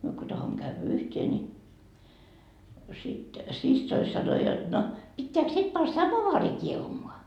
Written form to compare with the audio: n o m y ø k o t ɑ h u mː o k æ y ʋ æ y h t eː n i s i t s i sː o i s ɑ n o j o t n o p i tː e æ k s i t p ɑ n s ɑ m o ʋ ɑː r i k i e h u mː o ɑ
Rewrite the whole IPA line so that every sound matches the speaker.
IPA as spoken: n o m y ø k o t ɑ h o mː o k æ y ʋ æ y h t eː n i s i t s i sː o i s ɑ n o j o t n o p i tː e æ k s i t p ɑ n s ɑ m o ʋ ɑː r i k i e h u m o ɑ